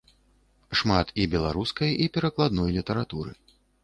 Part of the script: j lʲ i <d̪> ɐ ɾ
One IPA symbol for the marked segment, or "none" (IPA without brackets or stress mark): t̪